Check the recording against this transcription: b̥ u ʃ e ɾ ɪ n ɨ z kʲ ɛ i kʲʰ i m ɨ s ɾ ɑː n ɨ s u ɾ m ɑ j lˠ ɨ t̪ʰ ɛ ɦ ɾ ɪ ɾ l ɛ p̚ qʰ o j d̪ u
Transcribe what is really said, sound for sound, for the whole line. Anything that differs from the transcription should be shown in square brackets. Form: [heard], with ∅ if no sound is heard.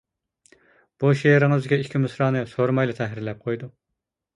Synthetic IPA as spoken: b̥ u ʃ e ɾ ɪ [ŋ] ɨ z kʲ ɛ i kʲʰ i m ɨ s ɾ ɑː n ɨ s [o] ɾ m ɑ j lˠ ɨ t̪ʰ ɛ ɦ ɾ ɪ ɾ l ɛ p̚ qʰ o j d̪ u